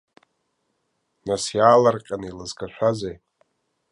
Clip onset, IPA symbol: n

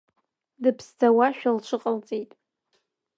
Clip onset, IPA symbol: d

